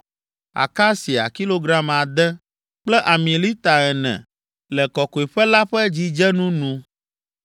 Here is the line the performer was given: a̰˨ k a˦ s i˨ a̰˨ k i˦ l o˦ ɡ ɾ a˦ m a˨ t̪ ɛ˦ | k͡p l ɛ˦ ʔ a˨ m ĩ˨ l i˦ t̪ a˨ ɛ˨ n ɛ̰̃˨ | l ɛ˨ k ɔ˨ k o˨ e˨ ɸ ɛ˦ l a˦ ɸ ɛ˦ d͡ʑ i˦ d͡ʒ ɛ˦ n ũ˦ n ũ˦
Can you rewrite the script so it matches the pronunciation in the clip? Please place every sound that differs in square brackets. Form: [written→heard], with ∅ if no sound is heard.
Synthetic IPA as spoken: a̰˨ k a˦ s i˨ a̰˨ k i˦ l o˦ ɡ ɾ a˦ m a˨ [t̪→d̪] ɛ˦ | k͡p l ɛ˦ ʔ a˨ m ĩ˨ l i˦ t̪ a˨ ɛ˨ n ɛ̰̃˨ | l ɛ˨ k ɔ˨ k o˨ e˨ ɸ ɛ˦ l a˦ ɸ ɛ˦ d͡ʑ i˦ d͡ʒ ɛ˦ n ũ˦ n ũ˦